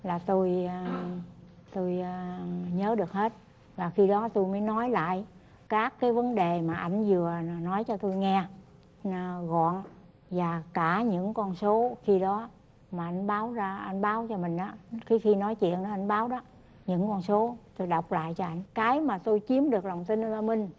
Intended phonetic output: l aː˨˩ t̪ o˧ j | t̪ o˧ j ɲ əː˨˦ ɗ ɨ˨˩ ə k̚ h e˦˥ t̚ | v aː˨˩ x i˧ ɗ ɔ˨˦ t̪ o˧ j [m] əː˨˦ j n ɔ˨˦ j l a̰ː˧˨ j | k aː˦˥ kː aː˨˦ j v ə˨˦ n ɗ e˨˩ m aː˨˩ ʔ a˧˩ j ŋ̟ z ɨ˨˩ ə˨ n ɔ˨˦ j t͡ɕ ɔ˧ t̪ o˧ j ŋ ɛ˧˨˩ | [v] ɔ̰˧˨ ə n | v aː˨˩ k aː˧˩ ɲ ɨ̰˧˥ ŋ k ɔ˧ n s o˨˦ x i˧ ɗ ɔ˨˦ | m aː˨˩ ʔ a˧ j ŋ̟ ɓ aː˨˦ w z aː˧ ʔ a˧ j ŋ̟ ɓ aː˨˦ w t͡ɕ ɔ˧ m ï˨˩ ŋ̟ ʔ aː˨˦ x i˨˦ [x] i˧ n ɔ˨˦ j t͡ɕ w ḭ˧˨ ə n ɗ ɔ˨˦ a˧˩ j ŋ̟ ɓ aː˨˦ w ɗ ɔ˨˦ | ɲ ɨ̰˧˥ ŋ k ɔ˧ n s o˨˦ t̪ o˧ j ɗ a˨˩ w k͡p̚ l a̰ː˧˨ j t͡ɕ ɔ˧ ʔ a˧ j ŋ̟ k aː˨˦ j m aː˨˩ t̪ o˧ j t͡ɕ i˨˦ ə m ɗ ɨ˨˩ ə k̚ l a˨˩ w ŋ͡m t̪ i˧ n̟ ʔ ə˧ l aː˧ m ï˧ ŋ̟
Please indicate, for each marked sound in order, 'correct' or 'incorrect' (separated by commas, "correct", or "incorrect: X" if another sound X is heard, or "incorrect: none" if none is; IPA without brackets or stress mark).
correct, incorrect: ɣ, correct